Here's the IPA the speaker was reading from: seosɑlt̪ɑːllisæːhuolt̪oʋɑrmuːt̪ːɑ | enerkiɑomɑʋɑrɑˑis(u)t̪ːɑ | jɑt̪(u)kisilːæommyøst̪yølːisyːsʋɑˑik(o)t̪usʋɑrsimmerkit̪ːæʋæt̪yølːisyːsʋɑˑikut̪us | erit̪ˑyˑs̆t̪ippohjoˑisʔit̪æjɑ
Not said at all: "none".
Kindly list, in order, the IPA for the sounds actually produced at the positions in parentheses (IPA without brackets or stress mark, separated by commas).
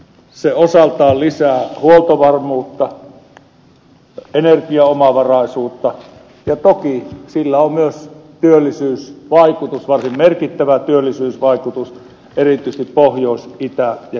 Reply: uː, o, u